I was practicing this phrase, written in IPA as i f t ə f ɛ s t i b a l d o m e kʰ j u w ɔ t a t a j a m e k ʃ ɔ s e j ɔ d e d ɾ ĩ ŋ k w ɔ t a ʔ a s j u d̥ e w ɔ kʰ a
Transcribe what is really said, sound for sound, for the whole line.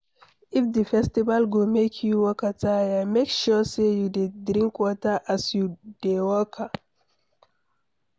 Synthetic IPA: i f d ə f ɛ s t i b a l ɡ o m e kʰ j u w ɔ k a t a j a m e k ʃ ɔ s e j u d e d ɾ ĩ ŋ k w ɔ t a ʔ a s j u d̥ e w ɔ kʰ a